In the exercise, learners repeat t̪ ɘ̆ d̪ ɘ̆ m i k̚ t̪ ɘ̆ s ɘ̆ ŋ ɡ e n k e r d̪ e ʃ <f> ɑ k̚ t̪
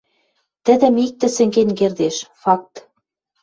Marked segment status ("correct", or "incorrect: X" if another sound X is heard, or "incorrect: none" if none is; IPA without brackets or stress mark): correct